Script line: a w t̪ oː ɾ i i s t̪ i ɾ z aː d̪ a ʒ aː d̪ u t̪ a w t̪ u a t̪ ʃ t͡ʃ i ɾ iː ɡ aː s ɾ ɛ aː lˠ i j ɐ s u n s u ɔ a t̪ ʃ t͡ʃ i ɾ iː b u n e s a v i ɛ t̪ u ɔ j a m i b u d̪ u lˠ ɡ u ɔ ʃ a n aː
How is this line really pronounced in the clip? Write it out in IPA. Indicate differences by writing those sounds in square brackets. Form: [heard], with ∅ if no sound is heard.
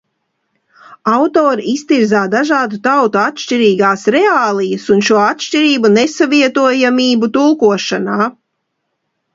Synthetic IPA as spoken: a w t̪ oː ɾ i i s t̪ i ɾ z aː d̪ a ʒ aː d̪ u t̪ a w t̪ u a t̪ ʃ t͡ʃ i ɾ iː ɡ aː s ɾ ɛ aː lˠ i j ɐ s u n [ʃ] u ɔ a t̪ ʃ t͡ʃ i ɾ iː b u n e s a v i ɛ t̪ u ɔ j a m [iː] b u [t̪] u lˠ [k] u ɔ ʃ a n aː